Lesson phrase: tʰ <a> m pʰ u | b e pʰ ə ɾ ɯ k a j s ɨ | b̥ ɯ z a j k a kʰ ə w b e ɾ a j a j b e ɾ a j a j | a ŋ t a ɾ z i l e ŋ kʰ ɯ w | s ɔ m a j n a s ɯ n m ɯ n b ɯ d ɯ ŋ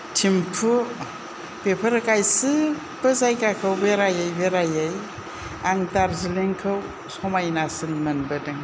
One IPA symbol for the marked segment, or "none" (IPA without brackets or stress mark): i